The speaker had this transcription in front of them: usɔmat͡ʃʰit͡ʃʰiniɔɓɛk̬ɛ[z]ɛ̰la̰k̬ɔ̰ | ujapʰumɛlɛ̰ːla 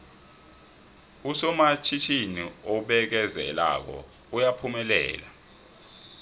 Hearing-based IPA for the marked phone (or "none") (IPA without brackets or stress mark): z